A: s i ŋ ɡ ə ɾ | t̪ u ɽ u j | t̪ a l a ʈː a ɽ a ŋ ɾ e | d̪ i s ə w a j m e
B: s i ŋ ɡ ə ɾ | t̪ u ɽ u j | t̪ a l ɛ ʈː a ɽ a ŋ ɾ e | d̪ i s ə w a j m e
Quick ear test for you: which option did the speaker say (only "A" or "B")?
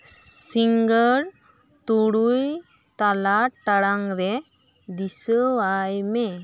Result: A